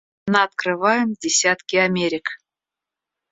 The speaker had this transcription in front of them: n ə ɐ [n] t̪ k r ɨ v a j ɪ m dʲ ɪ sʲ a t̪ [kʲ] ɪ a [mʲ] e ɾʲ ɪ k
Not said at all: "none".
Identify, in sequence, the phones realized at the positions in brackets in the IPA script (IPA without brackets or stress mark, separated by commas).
none, kʲ, mʲ